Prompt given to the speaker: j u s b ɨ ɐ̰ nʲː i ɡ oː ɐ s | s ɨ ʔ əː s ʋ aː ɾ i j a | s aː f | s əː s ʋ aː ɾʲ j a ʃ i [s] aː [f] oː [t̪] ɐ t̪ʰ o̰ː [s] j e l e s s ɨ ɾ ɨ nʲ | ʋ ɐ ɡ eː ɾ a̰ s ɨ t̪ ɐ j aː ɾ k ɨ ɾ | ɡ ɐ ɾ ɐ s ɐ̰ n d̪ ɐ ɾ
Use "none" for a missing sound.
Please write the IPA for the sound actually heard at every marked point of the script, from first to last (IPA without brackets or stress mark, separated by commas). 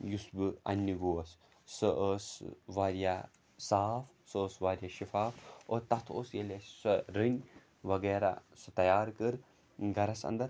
f, f, t̪, s